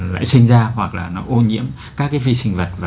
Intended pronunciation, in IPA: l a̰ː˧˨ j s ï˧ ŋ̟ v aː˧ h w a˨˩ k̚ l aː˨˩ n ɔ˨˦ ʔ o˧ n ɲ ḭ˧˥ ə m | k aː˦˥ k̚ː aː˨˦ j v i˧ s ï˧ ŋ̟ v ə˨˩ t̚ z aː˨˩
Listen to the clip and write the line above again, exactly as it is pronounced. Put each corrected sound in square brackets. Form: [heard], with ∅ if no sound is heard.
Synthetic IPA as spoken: l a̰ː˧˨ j s ï˧ ŋ̟ [z] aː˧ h w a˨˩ k̚ l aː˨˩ n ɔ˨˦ ʔ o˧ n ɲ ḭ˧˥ ə m | k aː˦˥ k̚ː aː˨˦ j v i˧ s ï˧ ŋ̟ v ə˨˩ t̚ [v] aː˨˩